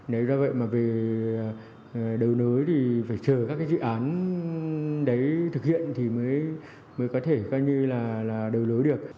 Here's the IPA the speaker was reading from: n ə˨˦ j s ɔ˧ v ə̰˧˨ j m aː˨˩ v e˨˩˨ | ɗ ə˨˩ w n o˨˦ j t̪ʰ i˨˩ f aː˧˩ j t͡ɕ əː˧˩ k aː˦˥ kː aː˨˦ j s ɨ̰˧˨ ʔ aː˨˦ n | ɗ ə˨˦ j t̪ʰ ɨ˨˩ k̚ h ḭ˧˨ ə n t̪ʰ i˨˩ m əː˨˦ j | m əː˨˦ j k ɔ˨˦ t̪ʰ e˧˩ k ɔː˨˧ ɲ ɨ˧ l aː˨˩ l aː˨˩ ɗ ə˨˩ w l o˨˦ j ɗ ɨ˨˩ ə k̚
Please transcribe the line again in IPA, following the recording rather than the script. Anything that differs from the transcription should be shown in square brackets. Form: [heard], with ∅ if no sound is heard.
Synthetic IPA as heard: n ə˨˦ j [z] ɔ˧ v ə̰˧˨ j m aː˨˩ v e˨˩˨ | ɗ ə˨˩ w n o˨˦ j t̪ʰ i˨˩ f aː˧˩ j t͡ɕ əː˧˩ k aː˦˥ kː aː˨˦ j [z] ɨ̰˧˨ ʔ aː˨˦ n | ɗ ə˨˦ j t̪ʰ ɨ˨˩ k̚ h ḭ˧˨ ə n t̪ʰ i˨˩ m əː˨˦ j | m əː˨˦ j k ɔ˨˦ t̪ʰ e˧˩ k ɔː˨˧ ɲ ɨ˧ l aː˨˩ l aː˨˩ ɗ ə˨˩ w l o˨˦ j ɗ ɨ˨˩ ə k̚